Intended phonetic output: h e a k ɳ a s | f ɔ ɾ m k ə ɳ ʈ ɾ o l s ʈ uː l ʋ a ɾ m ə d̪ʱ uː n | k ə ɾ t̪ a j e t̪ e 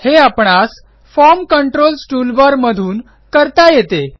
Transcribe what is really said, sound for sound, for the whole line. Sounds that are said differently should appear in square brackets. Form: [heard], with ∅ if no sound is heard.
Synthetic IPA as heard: h e a [p] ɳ a s | f ɔ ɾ m k ə ɳ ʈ ɾ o l s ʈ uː l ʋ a ɾ m ə d̪ʱ uː n | k ə ɾ t̪ a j e t̪ e